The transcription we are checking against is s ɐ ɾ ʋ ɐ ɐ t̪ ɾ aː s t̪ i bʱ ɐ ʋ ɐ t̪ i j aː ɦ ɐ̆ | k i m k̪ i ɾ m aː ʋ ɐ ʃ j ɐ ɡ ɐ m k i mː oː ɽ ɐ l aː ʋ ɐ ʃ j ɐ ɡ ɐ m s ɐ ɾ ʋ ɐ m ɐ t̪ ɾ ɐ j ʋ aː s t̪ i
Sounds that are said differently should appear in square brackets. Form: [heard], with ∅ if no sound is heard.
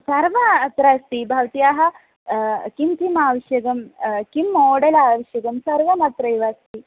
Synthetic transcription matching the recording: s ɐ ɾ ʋ ɐ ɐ t̪ ɾ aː s t̪ i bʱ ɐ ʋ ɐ t̪ i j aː ɦ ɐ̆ | k i m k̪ i [∅] m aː ʋ ɐ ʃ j ɐ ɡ ɐ m k i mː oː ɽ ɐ l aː ʋ ɐ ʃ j ɐ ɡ ɐ m s ɐ ɾ ʋ ɐ m ɐ t̪ ɾ ɐ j ʋ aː s t̪ i

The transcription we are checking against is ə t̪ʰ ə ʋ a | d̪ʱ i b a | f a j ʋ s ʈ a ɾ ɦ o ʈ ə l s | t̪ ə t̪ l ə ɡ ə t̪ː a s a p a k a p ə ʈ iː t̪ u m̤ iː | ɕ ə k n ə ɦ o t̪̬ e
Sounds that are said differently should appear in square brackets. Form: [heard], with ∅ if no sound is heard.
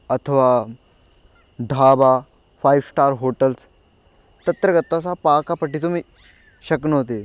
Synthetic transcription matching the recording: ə t̪ʰ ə ʋ a | d̪ʱ [a] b a | f a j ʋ s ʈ a ɾ ɦ o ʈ ə l s | t̪ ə t̪ [ɾ] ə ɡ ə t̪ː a s a p a k a p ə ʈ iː t̪ u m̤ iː | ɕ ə k n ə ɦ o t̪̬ e

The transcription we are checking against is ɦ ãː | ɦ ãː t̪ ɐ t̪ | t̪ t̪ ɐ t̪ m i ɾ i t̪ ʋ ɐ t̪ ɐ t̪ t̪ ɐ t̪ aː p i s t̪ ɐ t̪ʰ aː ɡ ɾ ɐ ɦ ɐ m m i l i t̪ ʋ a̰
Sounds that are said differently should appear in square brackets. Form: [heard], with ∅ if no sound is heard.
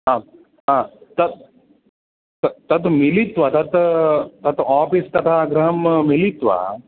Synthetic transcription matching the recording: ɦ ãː | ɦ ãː t̪ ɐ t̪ | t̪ t̪ ɐ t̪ m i [l] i t̪ ʋ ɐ t̪ ɐ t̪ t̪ ɐ t̪ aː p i s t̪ ɐ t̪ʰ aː ɡ ɾ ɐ ɦ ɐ m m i l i t̪ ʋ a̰

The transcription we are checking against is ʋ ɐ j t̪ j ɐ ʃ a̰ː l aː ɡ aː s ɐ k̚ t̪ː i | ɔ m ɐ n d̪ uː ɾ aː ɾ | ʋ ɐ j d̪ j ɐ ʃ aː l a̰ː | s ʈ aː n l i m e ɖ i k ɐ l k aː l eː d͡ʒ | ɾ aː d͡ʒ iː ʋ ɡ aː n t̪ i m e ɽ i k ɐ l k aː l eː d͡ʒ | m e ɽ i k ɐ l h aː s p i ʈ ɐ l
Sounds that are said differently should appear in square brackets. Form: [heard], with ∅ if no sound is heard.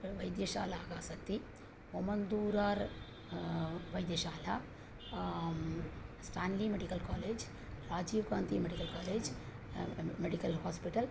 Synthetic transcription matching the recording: ʋ ɐ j [d̪] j ɐ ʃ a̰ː l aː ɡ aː s ɐ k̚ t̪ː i | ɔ m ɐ n d̪ uː ɾ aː ɾ | ʋ ɐ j d̪ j ɐ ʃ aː l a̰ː | s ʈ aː n l i m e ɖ i k ɐ l k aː l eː d͡ʒ | ɾ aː d͡ʒ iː ʋ ɡ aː n t̪ i m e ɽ i k ɐ l k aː l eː d͡ʒ | m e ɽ i k ɐ l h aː s p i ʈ ɐ l

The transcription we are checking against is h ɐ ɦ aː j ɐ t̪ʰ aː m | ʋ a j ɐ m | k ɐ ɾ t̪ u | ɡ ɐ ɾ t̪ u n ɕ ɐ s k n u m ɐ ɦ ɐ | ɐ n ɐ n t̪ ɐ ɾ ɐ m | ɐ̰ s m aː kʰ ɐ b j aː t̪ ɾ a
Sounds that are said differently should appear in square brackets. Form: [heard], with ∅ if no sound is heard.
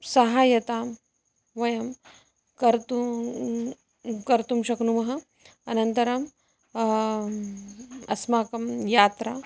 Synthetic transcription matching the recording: [s] ɐ ɦ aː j ɐ [t̪] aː m | ʋ [ɐ] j ɐ m | k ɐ ɾ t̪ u | [k] ɐ ɾ t̪ u [m] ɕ ɐ [∅] k n u m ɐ ɦ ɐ | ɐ n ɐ n t̪ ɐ ɾ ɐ m | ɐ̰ s m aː [k] ɐ [m] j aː t̪ ɾ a

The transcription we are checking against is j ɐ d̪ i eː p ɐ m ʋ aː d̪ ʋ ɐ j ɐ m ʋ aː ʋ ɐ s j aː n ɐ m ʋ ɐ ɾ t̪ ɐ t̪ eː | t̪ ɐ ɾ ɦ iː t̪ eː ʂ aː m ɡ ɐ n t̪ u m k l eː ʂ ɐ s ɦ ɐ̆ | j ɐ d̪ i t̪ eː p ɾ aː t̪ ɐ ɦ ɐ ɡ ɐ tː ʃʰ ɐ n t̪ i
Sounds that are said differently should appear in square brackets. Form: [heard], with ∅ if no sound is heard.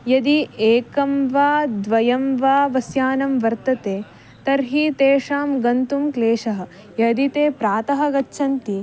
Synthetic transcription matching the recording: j ɐ d̪ i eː [k] ɐ m ʋ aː d̪ ʋ ɐ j ɐ m ʋ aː ʋ ɐ s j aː n ɐ m ʋ ɐ ɾ t̪ ɐ t̪ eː | t̪ ɐ ɾ ɦ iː t̪ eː ʂ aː m ɡ ɐ n t̪ u m k l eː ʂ ɐ [∅] ɦ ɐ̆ | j ɐ d̪ i t̪ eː p ɾ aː t̪ ɐ ɦ ɐ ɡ ɐ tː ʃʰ ɐ n t̪ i

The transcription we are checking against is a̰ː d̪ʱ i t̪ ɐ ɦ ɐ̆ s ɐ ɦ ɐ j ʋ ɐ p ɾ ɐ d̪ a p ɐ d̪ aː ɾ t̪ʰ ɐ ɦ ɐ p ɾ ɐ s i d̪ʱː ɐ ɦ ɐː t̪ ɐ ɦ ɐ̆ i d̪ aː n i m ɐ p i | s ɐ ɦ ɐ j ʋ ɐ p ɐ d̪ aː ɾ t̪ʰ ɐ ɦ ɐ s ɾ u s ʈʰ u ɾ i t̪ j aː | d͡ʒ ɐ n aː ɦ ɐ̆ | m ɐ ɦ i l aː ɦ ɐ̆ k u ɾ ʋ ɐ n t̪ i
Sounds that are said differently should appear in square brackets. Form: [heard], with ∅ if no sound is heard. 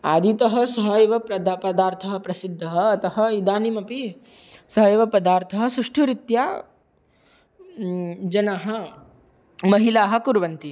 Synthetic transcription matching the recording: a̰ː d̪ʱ i t̪ ɐ ɦ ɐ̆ s ɐ ɦ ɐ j ʋ ɐ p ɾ ɐ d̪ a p ɐ d̪ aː ɾ t̪ʰ ɐ ɦ ɐ p ɾ ɐ s i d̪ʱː ɐ ɦ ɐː t̪ ɐ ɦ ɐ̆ i d̪ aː n i m ɐ p i | s ɐ ɦ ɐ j ʋ ɐ p ɐ d̪ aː ɾ t̪ʰ ɐ ɦ ɐ s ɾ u [ʂ] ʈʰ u ɾ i t̪ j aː | d͡ʒ ɐ n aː ɦ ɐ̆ | m ɐ ɦ i l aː ɦ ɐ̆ k u ɾ ʋ ɐ n t̪ i

